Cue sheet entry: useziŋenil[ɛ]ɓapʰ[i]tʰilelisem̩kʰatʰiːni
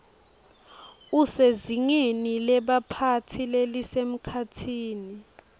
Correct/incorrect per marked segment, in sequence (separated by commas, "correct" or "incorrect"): correct, incorrect